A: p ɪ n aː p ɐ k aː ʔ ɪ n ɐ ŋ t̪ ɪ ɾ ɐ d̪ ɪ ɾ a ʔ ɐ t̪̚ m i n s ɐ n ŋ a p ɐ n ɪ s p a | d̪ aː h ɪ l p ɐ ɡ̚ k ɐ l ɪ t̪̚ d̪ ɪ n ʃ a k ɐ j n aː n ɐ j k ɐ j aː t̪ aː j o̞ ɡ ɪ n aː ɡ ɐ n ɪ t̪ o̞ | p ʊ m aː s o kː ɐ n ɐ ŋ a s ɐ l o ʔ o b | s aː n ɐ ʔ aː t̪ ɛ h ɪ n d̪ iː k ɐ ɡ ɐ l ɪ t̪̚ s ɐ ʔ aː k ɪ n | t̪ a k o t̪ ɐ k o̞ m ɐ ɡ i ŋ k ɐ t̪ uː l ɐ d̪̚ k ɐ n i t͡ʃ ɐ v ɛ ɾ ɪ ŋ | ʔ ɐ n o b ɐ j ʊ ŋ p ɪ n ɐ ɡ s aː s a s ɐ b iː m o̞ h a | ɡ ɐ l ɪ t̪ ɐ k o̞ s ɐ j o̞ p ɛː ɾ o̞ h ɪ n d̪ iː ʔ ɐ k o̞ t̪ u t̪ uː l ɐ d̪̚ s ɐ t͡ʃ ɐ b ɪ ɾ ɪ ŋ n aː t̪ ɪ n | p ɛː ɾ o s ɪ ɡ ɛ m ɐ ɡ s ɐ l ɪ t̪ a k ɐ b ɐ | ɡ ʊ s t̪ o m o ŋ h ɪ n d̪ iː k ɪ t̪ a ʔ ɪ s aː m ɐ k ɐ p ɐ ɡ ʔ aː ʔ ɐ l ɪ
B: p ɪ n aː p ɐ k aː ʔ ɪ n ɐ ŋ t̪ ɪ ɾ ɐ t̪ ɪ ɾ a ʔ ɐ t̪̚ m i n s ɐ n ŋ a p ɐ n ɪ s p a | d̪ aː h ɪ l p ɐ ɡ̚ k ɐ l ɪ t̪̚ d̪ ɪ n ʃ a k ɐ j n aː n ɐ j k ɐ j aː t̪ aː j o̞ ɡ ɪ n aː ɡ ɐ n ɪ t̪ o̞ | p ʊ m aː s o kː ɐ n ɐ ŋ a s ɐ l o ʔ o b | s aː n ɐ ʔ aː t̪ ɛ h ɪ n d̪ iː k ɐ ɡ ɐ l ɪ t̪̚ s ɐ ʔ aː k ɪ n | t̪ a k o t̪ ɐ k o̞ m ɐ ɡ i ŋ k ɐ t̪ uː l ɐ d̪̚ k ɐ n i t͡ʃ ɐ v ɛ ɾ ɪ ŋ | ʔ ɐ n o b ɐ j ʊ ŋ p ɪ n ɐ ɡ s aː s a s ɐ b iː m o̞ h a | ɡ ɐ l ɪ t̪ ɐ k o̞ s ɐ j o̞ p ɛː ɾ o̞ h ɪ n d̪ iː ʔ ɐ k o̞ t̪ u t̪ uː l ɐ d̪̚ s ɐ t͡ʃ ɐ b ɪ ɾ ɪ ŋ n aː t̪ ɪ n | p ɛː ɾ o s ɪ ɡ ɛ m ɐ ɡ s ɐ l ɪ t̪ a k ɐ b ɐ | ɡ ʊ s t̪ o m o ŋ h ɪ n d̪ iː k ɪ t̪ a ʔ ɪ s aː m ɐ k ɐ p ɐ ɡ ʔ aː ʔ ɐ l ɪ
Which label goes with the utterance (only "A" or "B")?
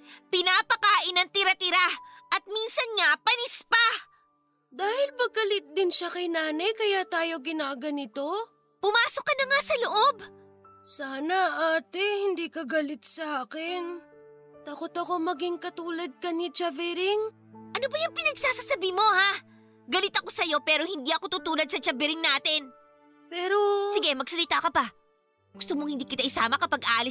B